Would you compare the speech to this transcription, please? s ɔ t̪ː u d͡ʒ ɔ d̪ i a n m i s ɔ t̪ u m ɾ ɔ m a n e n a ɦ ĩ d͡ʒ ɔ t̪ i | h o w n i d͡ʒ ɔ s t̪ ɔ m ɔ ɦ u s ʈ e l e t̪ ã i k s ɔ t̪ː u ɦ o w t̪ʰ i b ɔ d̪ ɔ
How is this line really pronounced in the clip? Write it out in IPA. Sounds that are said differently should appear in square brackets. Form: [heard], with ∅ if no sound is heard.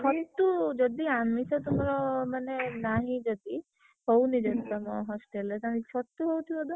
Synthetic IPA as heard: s ɔ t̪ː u d͡ʒ ɔ d̪ i a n m i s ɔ t̪ u m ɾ ɔ m a n e n a ɦ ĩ d͡ʒ ɔ [d̪] i | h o w n i d͡ʒ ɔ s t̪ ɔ m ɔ ɦ [ɔ] s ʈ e l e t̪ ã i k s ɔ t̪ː u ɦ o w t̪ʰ i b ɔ d̪ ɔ